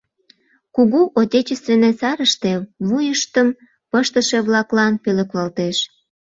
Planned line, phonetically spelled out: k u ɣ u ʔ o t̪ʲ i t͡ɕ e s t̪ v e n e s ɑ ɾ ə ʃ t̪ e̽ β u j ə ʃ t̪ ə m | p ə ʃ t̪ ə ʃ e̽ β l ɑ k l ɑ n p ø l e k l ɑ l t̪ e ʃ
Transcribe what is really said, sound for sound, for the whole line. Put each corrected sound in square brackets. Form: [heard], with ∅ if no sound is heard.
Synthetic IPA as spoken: k u ɣ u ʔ o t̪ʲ [e] t͡ɕ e s t̪ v e n e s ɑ ɾ ə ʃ t̪ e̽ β u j ə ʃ t̪ ə m | p ə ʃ t̪ ə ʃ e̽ β l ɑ k l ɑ n p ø l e k l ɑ l t̪ e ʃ